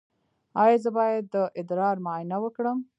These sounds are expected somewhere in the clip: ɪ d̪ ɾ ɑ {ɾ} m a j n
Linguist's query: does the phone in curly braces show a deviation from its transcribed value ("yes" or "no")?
no